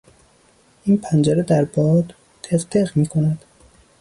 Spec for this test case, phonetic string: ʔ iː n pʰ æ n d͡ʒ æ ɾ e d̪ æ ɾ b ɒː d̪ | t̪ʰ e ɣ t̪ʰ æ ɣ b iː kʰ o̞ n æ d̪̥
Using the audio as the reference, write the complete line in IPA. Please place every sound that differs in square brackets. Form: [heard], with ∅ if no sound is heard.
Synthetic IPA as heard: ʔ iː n pʰ æ n d͡ʒ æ ɾ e d̪ æ ɾ b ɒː d̪ | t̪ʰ e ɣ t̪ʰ [e] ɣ [m] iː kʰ o̞ n æ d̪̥